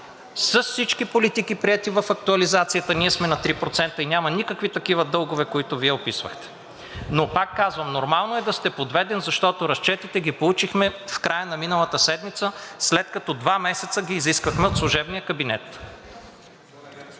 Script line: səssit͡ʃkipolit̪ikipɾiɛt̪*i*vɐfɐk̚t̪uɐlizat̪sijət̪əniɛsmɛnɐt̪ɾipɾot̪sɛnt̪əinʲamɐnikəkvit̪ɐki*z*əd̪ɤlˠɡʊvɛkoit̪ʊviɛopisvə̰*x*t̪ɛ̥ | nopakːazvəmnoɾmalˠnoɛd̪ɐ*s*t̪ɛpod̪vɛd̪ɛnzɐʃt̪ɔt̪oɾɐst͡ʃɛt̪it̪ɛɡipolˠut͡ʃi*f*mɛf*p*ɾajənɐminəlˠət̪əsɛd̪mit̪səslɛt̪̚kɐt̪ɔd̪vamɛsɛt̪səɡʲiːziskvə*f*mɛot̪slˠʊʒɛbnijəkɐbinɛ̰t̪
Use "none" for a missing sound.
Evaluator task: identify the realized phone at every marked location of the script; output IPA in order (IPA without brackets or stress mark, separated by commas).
i, v, x, s, x, k, x